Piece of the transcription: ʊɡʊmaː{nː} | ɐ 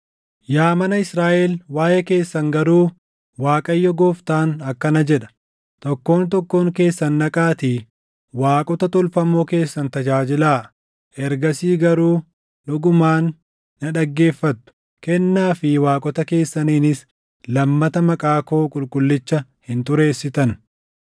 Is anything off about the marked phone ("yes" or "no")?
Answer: no